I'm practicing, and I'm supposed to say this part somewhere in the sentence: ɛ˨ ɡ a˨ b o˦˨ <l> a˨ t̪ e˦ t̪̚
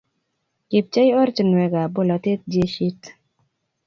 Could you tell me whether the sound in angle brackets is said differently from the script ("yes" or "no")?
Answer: no